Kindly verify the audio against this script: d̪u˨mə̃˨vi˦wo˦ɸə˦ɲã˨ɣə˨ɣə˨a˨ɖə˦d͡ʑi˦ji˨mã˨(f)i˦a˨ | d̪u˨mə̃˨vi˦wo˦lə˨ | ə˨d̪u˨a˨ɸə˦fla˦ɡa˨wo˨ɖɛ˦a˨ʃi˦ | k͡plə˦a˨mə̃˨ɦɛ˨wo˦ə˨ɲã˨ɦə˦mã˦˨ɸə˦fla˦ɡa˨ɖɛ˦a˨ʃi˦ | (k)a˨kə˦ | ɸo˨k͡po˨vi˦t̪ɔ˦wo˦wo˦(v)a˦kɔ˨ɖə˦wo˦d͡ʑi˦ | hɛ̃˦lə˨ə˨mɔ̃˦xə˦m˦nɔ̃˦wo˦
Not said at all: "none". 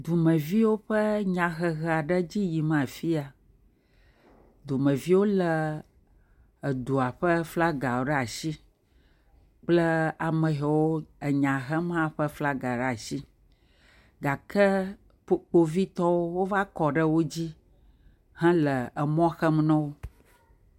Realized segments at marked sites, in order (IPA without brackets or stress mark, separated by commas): f, ɡ, v